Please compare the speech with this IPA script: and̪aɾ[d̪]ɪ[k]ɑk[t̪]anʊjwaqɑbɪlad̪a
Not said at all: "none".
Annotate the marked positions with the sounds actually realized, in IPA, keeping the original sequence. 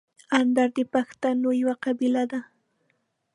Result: d̪, p, t̪

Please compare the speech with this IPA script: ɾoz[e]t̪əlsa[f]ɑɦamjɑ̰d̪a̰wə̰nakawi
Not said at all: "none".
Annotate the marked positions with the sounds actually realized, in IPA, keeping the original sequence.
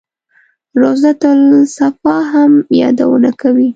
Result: a, f

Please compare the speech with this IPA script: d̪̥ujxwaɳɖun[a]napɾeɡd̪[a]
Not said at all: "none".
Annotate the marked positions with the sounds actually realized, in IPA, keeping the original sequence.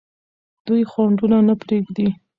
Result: a, i

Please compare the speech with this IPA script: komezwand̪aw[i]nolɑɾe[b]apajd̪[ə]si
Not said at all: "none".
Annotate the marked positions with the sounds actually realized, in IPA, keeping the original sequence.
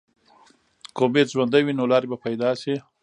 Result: i, b, ɑ

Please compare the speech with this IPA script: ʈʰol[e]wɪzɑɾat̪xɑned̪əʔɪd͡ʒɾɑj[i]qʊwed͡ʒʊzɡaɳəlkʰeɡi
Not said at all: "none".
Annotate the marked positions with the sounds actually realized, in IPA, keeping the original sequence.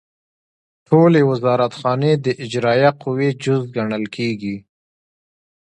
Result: e, a

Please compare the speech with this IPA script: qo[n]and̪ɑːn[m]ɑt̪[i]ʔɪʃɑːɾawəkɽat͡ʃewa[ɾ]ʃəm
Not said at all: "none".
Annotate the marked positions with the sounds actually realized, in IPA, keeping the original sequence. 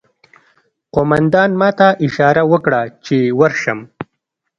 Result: m, m, a, ɾ

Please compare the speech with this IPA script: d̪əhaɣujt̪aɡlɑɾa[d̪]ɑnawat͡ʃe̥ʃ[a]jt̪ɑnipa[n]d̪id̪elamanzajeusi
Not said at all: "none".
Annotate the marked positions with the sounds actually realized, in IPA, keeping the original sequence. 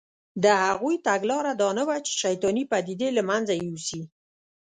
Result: d̪, a, none

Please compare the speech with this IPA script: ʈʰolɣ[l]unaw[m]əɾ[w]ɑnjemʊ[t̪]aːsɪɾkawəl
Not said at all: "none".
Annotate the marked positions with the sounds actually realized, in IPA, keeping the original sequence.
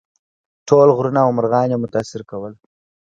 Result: ɾ, m, ɣ, t̪

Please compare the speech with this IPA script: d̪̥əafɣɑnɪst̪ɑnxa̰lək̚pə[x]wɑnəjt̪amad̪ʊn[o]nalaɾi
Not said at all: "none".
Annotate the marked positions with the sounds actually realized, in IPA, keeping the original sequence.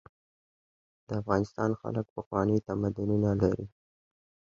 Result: x, u

